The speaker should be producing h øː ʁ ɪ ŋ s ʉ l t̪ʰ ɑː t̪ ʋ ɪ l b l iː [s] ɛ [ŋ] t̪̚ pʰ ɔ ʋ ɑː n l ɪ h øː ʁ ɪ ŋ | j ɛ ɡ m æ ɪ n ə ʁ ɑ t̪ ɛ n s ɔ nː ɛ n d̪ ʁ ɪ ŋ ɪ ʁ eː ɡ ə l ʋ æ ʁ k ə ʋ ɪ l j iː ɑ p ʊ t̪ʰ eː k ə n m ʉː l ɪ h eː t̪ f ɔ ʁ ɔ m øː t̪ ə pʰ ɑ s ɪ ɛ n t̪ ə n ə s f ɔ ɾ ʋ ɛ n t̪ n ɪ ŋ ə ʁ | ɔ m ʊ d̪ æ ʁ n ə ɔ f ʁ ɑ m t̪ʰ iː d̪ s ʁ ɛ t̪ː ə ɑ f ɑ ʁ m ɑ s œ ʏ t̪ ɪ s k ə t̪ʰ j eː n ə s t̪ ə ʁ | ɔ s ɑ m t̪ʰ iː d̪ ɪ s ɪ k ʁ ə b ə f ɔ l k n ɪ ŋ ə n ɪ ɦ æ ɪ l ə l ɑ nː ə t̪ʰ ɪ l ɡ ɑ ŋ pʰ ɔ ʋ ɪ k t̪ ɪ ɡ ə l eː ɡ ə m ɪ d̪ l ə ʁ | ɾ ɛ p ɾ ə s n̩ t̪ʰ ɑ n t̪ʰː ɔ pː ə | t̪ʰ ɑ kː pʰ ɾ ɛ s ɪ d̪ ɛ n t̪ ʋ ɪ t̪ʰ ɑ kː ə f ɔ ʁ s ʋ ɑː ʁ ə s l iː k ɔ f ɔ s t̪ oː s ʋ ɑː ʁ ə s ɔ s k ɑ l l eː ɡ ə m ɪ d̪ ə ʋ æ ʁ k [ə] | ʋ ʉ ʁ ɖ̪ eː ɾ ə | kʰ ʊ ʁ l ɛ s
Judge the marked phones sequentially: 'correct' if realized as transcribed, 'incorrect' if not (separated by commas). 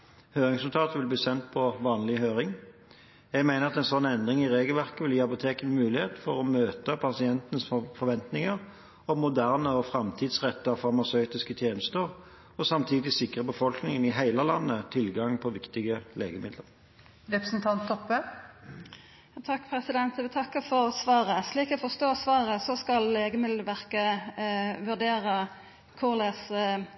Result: correct, incorrect, correct